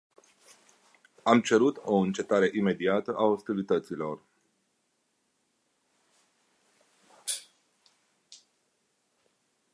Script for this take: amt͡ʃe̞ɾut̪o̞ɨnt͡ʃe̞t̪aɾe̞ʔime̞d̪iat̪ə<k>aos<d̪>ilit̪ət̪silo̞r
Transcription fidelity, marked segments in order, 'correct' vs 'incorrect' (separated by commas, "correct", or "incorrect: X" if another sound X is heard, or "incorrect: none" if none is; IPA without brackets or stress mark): incorrect: ʔ, incorrect: t̪